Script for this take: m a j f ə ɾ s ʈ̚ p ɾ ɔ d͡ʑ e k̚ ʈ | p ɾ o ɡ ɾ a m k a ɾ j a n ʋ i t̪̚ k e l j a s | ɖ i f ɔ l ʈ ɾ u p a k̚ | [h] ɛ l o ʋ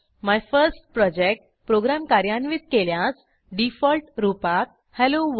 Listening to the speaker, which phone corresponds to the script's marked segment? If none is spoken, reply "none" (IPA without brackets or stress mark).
h